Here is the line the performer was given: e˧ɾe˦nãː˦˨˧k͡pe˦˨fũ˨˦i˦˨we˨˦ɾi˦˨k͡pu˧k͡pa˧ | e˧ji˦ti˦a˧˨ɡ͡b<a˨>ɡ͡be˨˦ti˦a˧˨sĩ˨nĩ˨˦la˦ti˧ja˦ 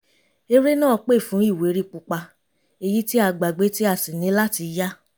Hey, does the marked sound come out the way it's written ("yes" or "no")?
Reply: yes